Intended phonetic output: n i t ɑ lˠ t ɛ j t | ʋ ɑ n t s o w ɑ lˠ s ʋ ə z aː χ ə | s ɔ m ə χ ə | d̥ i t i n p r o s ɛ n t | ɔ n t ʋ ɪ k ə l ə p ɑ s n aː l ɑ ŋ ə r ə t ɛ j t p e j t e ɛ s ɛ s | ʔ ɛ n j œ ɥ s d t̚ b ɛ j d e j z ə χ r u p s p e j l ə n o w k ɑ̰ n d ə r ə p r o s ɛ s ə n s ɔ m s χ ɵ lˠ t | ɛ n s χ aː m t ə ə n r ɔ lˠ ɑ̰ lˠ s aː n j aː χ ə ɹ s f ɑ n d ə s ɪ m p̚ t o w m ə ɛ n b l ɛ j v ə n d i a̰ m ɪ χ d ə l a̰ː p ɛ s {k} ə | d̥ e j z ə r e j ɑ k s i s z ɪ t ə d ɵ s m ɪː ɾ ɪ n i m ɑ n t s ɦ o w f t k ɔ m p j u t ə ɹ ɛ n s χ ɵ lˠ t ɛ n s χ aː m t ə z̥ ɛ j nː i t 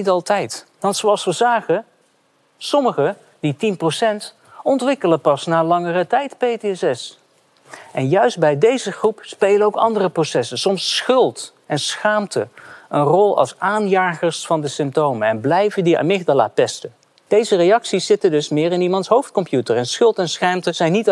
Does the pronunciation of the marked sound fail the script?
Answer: yes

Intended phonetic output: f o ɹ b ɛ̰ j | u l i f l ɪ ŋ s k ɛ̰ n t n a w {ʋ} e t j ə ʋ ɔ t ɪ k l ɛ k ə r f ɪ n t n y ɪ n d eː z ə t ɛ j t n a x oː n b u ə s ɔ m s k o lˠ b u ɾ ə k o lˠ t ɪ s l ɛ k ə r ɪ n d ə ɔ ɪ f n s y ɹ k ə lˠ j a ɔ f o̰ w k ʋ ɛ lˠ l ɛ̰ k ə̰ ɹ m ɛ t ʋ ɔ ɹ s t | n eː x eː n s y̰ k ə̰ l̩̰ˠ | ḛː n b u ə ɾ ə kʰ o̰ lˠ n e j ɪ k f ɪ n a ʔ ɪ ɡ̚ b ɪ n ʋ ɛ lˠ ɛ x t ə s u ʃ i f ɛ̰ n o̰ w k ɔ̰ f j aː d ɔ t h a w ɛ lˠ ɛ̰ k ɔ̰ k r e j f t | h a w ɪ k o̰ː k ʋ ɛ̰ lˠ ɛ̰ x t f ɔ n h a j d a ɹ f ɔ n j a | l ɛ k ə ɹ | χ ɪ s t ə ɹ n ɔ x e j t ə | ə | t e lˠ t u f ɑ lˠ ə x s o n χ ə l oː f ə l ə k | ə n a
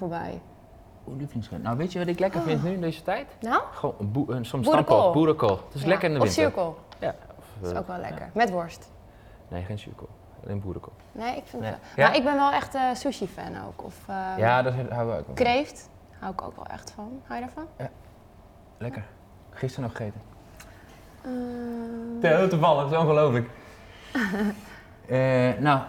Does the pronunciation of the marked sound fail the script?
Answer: no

